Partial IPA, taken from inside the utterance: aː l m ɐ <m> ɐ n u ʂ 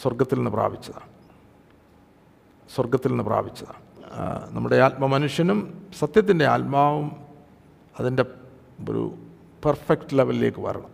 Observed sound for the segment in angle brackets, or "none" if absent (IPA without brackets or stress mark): m